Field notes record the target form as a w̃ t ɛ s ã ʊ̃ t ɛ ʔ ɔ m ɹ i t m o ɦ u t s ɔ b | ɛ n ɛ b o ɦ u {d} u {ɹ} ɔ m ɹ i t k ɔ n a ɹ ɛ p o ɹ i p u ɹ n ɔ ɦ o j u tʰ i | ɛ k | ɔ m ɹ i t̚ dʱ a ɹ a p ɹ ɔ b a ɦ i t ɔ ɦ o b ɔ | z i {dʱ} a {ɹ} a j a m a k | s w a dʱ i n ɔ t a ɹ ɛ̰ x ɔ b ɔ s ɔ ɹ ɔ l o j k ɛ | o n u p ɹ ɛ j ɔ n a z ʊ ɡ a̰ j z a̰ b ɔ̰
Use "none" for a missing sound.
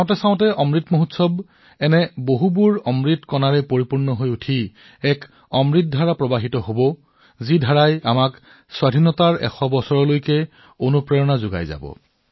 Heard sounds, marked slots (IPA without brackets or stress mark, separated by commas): b, ɹ, dʱ, ɹ